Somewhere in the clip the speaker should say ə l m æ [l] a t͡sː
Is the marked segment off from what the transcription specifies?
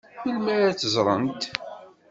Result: yes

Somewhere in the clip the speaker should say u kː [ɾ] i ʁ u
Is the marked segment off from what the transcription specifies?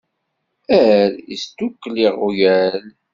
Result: yes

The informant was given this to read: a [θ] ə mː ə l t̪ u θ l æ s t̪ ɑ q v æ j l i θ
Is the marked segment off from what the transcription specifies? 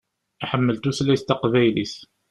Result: yes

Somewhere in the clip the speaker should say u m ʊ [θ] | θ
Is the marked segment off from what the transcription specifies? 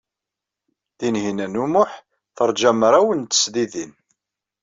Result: yes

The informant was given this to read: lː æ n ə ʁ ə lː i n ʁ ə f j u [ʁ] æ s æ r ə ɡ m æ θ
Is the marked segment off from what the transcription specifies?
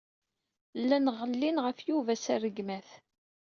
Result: yes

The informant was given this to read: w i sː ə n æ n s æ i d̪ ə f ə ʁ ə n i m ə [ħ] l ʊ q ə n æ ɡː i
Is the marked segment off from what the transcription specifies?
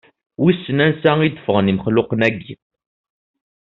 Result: yes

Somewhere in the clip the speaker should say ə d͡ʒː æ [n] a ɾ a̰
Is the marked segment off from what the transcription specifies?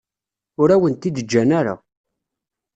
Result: no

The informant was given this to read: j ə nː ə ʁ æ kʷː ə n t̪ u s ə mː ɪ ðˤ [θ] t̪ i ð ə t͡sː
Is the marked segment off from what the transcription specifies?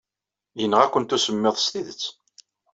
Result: yes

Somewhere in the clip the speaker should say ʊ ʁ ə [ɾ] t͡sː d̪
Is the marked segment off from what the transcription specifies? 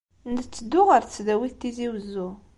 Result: no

